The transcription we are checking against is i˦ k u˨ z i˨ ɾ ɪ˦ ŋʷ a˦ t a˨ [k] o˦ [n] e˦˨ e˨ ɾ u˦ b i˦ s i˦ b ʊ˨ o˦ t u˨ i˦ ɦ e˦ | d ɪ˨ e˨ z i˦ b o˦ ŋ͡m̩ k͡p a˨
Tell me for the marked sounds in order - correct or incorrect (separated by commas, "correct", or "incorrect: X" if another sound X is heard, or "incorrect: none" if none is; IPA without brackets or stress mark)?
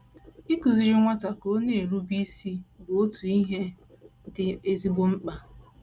correct, correct